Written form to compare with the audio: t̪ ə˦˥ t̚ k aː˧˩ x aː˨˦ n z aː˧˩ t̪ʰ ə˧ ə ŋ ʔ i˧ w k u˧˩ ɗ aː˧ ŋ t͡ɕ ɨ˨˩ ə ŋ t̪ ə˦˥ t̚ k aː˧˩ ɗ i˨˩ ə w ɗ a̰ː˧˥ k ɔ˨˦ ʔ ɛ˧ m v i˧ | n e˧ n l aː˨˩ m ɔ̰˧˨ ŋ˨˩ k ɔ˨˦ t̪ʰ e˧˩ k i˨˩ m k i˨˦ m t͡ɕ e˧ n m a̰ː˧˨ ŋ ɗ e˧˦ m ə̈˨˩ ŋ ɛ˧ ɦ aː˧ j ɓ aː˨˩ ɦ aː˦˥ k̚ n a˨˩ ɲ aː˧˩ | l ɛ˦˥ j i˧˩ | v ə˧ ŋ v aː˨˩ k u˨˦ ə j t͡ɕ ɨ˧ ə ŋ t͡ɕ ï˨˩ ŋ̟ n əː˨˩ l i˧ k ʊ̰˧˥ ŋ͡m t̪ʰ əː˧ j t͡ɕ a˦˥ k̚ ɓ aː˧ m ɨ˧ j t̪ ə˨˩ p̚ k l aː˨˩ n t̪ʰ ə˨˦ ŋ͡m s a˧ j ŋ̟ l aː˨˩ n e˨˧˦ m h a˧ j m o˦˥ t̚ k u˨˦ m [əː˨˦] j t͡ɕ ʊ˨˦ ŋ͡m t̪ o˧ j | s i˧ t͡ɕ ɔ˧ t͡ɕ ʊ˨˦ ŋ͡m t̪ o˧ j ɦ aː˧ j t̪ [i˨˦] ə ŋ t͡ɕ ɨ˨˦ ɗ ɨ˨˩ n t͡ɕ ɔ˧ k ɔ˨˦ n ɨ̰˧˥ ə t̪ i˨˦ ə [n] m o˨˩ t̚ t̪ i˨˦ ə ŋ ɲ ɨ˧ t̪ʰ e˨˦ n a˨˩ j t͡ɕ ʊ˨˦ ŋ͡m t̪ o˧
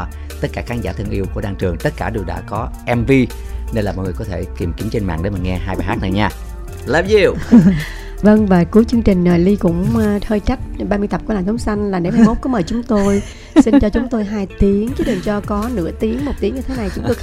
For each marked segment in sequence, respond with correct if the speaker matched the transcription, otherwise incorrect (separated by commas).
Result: incorrect, correct, incorrect